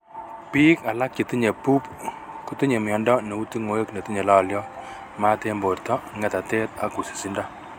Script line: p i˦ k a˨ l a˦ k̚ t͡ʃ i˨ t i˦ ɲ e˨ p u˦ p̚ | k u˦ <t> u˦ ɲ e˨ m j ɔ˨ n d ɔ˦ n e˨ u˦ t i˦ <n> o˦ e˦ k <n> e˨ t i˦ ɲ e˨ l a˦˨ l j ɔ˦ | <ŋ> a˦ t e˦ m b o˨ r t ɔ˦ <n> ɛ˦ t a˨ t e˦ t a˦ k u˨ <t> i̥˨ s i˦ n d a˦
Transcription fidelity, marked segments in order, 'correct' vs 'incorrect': correct, incorrect, correct, incorrect, incorrect, incorrect

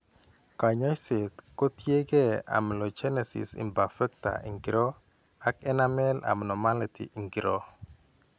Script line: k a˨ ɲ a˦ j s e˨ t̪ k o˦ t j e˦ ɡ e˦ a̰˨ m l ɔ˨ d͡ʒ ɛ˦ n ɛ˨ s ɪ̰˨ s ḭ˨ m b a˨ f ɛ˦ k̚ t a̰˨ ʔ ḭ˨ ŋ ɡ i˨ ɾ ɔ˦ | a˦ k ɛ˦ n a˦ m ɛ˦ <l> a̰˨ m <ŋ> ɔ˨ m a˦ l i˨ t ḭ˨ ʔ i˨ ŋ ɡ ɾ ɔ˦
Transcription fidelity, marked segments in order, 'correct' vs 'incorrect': correct, incorrect

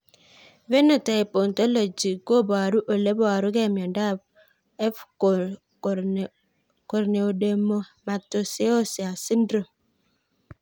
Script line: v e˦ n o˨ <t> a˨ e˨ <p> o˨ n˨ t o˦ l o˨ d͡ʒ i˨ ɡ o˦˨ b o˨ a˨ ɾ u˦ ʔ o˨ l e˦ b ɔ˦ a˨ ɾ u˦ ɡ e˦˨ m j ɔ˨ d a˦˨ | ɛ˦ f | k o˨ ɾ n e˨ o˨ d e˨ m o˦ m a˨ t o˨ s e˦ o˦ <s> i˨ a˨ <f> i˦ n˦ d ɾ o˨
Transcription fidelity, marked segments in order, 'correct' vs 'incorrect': correct, correct, correct, incorrect

